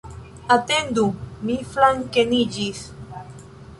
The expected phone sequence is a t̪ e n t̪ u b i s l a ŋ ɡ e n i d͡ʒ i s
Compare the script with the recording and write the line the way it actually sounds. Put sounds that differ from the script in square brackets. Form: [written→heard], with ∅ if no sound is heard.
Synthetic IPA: a t̪ e n [t̪→d̪] u [b→m] i [s→f] l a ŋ [ɡ→k] e n i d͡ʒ i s